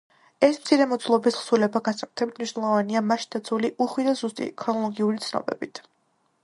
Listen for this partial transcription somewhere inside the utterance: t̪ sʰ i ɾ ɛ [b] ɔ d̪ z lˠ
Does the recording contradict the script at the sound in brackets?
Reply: yes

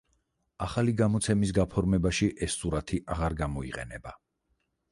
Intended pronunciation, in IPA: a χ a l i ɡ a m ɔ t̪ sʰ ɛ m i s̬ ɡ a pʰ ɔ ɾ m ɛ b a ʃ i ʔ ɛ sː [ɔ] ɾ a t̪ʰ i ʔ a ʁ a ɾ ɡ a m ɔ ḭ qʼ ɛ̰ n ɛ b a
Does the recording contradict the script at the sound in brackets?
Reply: yes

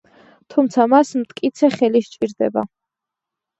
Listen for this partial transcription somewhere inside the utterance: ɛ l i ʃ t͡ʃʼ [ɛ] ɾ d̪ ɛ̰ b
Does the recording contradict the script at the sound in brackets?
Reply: yes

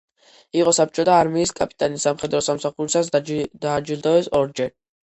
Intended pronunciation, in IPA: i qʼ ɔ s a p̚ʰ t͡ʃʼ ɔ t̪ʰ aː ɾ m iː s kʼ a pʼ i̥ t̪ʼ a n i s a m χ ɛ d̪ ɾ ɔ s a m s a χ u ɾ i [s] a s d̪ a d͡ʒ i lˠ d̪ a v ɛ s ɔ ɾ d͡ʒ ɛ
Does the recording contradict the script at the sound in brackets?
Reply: no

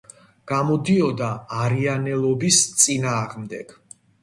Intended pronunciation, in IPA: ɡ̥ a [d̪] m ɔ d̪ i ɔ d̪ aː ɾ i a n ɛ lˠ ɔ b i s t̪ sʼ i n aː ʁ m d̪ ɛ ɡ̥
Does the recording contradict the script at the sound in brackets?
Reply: yes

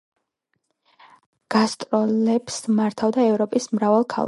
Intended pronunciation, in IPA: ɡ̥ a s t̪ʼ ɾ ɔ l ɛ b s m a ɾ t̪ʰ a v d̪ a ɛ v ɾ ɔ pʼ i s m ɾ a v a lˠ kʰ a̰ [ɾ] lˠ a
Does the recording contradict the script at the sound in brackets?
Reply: yes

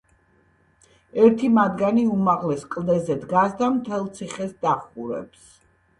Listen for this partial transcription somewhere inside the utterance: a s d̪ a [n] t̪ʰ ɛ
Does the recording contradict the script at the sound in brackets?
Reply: yes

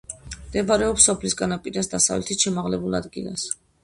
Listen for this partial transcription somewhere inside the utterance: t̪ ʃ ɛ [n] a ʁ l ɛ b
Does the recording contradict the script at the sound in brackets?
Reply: yes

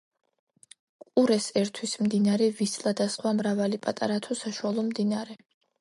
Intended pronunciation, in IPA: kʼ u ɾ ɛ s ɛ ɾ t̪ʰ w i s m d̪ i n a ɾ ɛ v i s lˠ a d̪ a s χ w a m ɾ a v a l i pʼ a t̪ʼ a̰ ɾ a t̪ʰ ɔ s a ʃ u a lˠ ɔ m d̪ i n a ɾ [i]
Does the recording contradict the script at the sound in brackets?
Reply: yes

